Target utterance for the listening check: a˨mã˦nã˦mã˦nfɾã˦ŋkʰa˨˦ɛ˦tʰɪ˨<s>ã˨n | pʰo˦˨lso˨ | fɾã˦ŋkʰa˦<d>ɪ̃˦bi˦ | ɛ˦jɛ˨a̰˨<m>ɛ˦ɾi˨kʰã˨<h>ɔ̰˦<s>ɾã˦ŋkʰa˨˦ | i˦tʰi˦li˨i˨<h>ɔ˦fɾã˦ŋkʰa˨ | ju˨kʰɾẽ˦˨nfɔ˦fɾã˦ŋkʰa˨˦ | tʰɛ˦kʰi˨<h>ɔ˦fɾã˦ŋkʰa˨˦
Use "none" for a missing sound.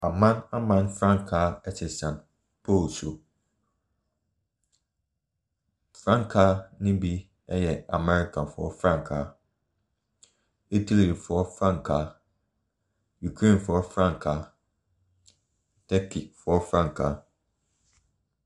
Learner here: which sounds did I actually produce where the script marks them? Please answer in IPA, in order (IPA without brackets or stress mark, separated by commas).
s, n, m, f, f, f, f